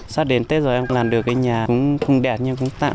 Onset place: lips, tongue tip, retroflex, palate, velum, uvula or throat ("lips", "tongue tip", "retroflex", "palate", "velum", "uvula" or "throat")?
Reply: tongue tip